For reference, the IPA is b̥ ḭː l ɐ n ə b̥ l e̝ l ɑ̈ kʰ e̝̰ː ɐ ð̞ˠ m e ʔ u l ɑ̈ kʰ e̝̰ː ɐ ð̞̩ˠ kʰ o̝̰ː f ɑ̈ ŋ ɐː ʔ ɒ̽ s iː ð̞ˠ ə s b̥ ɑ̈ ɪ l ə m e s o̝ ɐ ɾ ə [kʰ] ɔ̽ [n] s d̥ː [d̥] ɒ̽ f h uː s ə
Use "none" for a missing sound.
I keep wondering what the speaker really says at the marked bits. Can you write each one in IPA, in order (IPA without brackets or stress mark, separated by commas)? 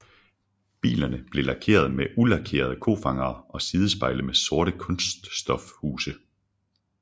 kʰ, n, d̥